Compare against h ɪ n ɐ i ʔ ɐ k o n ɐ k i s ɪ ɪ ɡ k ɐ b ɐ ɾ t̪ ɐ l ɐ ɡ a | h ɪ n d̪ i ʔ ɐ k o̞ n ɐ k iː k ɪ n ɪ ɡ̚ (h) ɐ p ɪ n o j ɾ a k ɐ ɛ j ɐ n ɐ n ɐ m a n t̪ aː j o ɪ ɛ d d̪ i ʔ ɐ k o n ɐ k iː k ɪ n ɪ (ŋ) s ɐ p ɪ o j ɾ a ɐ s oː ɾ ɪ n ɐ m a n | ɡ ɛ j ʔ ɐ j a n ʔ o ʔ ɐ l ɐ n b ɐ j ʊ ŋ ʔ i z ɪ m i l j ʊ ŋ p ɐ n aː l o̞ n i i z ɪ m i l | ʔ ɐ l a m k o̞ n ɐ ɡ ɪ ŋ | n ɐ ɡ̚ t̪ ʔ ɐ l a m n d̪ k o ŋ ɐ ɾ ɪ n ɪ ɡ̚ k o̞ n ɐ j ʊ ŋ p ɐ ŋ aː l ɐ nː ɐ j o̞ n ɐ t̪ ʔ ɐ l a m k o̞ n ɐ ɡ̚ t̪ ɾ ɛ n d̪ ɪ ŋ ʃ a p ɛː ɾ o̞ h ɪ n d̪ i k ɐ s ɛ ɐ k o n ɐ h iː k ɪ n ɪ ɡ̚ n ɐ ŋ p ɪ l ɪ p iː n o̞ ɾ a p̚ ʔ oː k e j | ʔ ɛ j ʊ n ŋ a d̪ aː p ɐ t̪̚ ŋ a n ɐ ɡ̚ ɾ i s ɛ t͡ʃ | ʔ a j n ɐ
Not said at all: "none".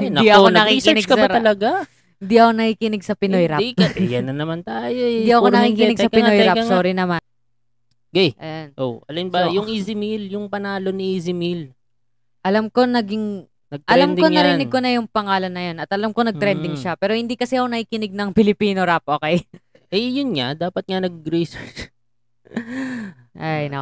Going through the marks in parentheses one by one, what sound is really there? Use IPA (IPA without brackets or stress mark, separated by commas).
s, ɡ